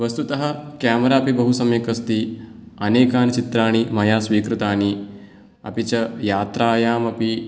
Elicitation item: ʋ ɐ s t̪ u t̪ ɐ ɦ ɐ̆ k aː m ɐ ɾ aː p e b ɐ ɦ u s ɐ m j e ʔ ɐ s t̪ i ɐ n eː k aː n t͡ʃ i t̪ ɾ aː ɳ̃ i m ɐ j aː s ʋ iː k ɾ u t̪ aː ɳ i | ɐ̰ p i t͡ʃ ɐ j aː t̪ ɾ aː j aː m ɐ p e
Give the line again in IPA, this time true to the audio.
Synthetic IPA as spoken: ʋ ɐ s t̪ u t̪ ɐ ɦ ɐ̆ k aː m ɐ ɾ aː p i b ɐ ɦ u s ɐ m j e k ɐ s t̪ i ɐ n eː k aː n t͡ʃ i t̪ ɾ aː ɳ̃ i m ɐ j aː s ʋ iː k ɾ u t̪ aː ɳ i | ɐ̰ p i t͡ʃ ɐ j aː t̪ ɾ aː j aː m ɐ p i